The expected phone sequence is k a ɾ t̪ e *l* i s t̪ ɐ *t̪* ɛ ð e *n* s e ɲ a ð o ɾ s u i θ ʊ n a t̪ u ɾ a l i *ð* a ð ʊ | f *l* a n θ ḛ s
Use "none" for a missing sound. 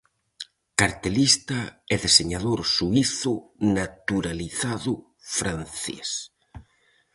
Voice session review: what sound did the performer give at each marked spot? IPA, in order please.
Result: l, none, none, θ, ɾ

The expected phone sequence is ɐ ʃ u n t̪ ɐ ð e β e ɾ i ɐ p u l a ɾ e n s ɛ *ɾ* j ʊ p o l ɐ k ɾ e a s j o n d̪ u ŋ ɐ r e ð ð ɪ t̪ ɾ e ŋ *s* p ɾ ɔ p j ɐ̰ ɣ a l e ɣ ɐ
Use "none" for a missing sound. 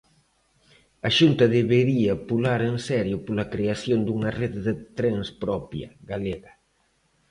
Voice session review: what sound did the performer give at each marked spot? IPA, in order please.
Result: ɾ, s

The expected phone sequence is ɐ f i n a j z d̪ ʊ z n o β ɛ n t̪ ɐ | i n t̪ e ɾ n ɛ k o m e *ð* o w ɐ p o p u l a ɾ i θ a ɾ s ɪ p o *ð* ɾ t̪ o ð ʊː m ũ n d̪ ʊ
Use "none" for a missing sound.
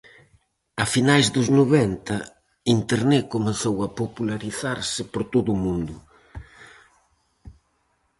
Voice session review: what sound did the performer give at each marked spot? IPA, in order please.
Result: θ, none

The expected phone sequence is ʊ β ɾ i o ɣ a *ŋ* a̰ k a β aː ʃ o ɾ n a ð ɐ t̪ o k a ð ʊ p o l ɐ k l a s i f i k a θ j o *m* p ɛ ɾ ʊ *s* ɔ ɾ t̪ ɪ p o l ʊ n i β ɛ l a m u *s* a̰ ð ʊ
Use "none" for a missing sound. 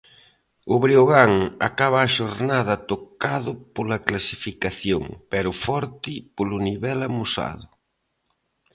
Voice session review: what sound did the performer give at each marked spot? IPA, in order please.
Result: ŋ, ŋ, f, s

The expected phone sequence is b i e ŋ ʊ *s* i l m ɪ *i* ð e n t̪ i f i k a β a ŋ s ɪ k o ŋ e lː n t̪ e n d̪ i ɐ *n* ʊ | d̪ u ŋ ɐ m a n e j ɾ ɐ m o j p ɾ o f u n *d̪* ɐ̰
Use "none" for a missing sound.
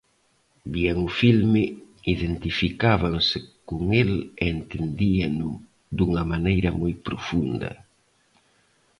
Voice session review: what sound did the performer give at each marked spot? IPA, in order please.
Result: f, i, n, d̪

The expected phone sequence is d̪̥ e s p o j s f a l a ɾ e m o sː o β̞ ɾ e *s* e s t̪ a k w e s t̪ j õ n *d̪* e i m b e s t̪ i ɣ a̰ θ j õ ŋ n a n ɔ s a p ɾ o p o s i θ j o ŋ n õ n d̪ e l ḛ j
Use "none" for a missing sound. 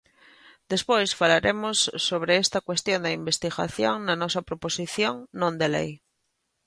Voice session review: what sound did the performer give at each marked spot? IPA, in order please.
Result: none, d̪

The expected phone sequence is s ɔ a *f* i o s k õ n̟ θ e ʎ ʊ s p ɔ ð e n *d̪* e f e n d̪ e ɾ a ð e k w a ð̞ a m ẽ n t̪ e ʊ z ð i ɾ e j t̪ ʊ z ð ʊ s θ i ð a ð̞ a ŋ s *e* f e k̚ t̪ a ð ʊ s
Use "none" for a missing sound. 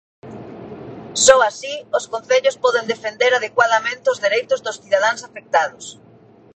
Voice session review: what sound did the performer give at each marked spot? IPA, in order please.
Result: s, d̪, a

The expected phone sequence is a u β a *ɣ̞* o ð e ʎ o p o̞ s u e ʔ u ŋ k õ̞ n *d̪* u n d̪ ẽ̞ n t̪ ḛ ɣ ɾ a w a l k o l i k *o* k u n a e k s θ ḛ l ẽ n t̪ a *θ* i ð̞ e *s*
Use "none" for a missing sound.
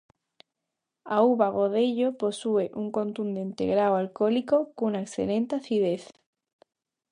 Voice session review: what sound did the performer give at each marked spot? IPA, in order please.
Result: ɣ̞, t̪, o, θ, θ

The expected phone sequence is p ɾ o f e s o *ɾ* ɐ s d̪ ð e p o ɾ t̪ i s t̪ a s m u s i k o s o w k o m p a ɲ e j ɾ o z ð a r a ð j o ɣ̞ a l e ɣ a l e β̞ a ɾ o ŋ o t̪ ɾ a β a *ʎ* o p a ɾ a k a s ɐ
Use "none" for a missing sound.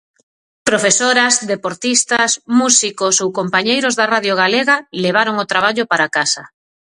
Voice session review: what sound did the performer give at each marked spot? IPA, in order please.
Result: ɾ, ʎ

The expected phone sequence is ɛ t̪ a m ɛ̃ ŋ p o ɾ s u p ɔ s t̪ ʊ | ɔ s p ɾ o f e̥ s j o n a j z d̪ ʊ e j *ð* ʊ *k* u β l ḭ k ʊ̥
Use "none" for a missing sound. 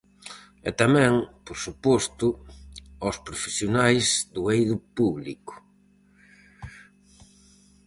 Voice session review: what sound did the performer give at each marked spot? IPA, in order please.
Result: ð, p

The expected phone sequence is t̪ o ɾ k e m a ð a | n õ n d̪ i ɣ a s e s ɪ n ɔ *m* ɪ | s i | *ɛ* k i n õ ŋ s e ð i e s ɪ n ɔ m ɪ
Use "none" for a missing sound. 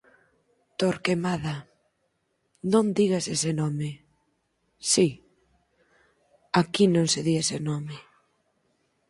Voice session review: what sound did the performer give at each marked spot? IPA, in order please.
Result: m, a

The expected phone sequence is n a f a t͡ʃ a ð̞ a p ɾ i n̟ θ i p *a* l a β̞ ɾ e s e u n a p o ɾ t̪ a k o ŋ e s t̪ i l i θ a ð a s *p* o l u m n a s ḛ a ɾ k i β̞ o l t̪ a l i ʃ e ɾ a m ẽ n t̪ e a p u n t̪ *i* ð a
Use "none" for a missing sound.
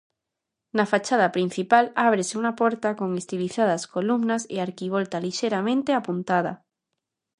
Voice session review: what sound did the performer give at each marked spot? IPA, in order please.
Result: a, k, a

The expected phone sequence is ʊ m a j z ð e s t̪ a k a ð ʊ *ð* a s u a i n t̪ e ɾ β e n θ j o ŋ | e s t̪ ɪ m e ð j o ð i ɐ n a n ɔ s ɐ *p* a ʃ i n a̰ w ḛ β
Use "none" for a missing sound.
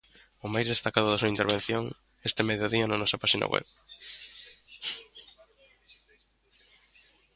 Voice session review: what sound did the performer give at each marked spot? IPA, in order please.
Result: ð, p

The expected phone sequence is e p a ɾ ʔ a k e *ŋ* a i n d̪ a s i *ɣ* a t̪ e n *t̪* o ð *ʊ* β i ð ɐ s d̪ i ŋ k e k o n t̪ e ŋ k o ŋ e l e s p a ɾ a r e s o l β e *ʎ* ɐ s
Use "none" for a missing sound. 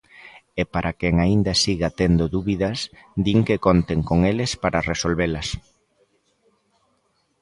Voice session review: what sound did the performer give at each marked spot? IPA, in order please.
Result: ŋ, ɣ, d̪, u, l

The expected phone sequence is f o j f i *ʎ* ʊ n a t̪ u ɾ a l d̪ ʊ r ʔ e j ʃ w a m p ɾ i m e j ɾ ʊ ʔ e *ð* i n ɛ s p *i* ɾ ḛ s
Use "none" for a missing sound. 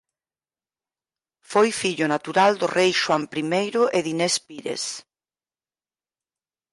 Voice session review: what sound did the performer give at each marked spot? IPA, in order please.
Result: ʎ, ð, i

